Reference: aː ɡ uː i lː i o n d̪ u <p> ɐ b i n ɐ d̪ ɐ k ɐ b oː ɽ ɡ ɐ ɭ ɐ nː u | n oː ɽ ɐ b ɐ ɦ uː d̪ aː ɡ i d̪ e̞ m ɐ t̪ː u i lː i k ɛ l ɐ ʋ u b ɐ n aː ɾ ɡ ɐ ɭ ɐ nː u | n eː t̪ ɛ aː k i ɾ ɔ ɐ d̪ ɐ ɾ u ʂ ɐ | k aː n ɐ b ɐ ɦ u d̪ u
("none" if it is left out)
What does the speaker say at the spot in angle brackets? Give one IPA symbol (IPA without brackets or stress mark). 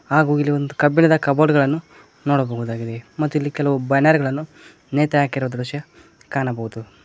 k